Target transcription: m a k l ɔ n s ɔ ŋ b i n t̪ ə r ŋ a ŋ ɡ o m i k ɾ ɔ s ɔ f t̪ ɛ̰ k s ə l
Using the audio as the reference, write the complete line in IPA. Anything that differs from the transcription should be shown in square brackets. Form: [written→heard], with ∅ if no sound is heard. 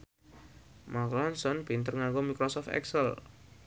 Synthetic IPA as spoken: m a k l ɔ n s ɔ [ŋ→n] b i n t̪ ə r ŋ a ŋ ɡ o m i k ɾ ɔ s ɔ f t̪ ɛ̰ k s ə l